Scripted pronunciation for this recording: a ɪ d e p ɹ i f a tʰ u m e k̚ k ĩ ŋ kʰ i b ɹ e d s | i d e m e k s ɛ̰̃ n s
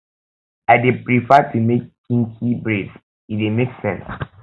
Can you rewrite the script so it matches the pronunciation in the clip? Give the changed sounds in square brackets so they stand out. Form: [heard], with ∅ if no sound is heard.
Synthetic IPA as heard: a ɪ d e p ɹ i f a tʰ u m e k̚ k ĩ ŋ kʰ i b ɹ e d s | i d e m e k s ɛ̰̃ n s